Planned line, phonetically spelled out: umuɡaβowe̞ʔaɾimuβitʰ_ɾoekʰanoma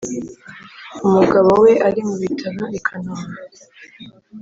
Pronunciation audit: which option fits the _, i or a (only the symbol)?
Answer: a